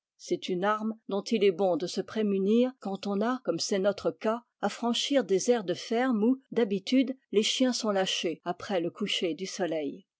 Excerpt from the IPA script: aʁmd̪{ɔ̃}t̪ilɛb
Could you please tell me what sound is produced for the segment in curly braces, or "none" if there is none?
ɔ̃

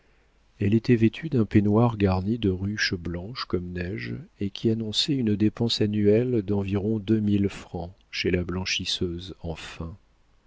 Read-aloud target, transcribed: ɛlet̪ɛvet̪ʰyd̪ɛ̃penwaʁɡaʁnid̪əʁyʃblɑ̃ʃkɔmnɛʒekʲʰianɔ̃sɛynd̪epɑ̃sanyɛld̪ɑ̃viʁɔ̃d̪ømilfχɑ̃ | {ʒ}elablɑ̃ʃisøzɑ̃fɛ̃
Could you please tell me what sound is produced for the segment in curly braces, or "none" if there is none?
ʃ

